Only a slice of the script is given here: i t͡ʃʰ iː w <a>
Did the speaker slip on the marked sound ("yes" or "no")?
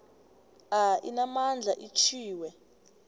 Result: yes